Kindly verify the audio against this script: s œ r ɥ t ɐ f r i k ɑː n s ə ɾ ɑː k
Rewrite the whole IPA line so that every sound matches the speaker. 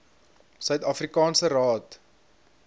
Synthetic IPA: s œ ɥ t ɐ f r i k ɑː n s ə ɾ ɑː t